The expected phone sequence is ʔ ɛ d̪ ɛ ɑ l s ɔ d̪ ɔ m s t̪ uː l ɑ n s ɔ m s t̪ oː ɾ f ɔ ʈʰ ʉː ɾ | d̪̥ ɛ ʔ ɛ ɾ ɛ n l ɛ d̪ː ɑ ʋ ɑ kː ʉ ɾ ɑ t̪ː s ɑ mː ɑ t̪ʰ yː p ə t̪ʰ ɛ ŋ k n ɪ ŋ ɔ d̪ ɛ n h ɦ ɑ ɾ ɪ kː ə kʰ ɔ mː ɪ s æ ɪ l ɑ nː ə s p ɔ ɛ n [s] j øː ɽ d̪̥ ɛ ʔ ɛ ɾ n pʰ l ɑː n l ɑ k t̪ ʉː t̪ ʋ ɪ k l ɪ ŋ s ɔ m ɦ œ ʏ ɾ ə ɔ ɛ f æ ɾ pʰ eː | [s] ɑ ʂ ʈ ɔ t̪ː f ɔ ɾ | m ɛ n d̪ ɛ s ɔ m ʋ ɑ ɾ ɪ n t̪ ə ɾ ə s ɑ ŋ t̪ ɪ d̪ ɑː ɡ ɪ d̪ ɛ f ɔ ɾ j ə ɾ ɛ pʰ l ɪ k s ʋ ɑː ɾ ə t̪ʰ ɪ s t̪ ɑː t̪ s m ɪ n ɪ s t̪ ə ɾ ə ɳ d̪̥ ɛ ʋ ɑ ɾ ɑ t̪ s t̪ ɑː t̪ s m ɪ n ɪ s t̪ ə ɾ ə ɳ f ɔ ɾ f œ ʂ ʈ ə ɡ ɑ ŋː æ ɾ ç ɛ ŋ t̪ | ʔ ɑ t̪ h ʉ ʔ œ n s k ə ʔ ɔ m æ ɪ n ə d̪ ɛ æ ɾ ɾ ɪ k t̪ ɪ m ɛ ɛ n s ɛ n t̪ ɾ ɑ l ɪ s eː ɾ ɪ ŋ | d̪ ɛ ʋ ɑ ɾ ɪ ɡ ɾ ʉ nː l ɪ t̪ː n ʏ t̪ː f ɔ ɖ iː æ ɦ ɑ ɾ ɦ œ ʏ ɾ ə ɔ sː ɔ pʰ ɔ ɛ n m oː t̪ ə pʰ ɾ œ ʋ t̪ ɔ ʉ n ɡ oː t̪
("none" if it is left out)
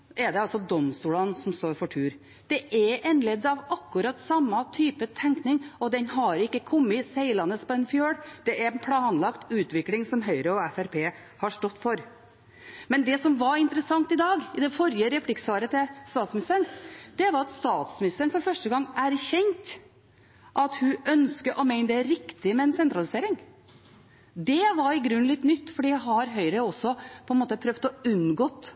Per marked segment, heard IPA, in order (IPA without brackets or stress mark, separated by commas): f, h